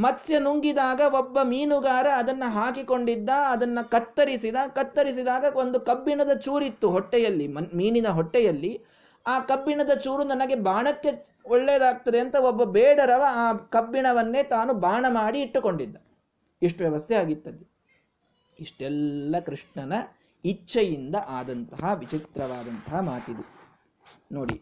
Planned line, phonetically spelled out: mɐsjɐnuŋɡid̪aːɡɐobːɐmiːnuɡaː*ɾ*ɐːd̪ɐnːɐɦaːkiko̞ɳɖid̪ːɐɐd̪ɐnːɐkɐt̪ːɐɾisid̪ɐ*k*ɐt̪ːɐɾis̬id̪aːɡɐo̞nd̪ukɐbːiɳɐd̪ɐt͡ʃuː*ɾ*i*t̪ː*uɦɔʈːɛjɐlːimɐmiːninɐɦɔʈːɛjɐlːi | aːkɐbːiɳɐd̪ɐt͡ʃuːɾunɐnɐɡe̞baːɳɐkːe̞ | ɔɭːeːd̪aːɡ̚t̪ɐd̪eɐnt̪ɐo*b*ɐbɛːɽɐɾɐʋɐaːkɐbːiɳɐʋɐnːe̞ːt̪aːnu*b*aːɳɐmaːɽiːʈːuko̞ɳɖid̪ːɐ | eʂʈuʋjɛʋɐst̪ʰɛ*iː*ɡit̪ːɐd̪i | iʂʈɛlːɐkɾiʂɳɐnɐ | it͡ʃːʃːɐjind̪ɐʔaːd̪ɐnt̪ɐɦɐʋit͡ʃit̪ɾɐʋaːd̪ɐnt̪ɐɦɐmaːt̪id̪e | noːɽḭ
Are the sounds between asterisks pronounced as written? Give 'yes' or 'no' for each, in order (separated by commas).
yes, yes, yes, yes, no, yes, no